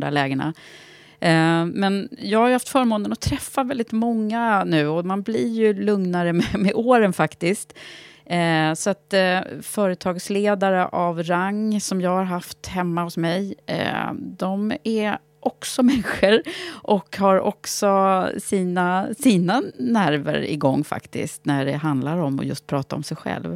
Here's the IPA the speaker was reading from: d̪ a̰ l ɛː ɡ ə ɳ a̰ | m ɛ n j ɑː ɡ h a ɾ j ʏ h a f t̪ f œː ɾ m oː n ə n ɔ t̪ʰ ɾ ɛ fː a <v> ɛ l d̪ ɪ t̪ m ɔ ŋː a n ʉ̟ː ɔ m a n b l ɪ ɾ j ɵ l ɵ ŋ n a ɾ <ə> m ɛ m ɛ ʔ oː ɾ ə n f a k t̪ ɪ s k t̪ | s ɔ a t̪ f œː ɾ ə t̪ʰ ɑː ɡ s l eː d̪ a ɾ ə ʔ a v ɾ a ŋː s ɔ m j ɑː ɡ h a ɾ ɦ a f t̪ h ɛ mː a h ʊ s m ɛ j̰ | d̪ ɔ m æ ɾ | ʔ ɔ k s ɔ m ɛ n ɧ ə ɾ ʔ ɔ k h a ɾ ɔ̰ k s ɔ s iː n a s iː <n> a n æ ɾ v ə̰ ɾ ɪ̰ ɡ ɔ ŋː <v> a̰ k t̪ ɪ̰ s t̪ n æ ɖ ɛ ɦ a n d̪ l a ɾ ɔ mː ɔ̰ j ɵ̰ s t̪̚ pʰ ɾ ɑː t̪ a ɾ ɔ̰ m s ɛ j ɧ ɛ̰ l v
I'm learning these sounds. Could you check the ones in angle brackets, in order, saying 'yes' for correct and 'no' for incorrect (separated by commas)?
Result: yes, yes, yes, no